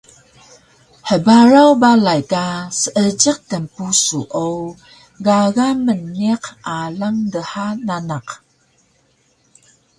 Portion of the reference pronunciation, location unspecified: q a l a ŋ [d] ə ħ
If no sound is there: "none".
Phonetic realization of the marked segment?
d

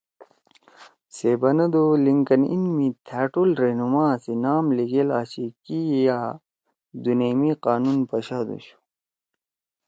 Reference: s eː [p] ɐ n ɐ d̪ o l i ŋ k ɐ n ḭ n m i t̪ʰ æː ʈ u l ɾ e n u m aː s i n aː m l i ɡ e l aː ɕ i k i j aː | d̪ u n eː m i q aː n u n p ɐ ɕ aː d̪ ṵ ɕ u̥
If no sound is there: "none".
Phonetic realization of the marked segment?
b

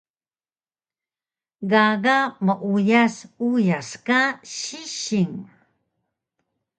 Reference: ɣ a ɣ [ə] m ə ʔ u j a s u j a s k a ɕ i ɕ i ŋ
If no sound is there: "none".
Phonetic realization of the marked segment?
a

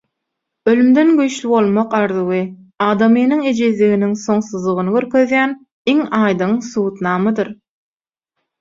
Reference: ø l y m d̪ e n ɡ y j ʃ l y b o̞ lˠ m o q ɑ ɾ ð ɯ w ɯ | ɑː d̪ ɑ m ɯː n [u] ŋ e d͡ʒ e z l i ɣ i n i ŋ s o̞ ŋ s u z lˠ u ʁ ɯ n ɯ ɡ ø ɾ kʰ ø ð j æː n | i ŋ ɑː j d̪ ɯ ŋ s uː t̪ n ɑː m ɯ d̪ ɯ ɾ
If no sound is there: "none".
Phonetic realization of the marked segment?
ɯ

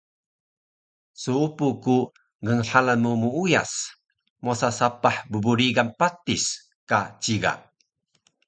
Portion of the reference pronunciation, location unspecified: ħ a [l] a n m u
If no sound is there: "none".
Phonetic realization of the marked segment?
l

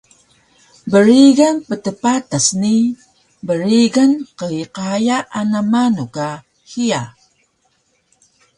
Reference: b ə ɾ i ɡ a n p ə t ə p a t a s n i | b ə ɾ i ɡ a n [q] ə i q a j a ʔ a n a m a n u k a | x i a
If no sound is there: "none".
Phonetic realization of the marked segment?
q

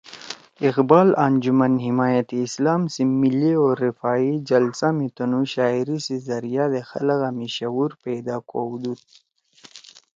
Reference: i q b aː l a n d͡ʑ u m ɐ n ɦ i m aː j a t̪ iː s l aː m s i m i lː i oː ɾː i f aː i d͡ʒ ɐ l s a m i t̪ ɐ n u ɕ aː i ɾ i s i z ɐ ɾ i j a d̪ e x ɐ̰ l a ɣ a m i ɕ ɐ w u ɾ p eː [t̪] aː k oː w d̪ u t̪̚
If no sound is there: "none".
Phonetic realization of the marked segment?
d̪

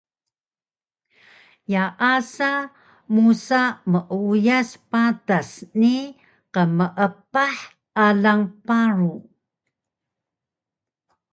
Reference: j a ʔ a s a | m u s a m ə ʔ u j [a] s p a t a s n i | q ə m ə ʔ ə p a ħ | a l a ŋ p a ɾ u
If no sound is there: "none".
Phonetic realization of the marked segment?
a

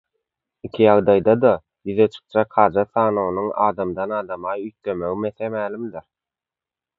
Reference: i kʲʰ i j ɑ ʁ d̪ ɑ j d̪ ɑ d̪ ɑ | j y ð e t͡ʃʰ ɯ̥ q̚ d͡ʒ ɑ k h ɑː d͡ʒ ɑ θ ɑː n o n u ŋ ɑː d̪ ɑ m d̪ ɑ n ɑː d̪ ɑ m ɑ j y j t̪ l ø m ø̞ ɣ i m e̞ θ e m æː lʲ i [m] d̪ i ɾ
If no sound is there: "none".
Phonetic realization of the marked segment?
m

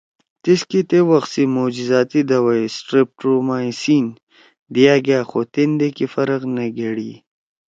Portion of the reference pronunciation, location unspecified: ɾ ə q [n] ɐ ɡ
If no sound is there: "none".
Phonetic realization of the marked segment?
n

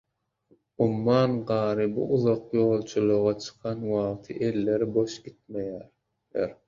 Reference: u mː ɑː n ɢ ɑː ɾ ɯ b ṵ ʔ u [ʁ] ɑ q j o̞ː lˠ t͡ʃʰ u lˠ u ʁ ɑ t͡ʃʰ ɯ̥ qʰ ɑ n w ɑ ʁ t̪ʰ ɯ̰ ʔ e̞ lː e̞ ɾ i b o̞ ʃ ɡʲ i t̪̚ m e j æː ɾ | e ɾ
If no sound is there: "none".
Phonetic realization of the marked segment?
ð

